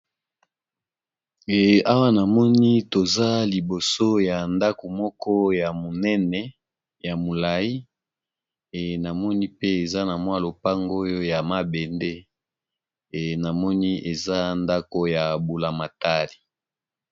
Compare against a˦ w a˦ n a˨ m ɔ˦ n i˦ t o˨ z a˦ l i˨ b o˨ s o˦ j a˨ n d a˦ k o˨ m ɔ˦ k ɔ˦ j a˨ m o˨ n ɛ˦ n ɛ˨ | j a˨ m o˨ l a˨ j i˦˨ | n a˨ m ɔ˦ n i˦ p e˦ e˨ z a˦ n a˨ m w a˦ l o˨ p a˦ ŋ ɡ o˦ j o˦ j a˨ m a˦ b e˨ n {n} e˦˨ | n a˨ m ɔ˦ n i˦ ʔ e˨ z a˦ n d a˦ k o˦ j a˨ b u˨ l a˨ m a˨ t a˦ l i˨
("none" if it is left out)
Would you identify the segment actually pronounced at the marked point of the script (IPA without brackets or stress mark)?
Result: d